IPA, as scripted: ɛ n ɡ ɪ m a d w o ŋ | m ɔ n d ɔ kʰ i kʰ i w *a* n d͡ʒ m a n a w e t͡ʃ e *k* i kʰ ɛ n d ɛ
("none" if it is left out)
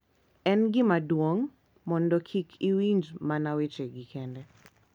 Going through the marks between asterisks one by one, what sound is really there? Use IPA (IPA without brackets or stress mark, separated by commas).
i, ɡ